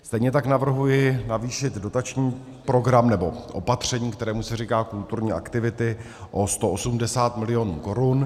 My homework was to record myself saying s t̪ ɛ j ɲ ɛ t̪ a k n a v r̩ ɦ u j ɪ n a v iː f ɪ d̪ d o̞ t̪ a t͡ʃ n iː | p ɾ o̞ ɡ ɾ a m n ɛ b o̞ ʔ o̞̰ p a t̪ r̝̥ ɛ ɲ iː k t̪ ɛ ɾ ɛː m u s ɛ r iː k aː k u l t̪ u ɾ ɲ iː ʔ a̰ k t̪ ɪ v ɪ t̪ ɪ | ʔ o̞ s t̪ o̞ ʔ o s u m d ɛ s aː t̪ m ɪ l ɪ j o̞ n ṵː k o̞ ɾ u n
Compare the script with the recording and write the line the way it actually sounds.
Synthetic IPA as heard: s t̪ ɛ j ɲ ɛ t̪ a k n a v r̩ ɦ u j ɪ n a v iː ʃ ɪ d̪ d o̞ t̪ a t͡ʃ ɲ iː | p ɾ o̞ ɡ ɾ a m n ɛ b o̞ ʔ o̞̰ p a t̪ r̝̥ ɛ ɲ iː k t̪ ɛ ɾ ɛː m u s ɛ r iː k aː k u l t̪ u ɾ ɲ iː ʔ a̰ k t̪ ɪ v ɪ t̪ ɪ | ʔ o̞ s t̪ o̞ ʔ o s u m d ɛ s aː t̪ m ɪ l ɪ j o̞ n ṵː k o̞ ɾ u n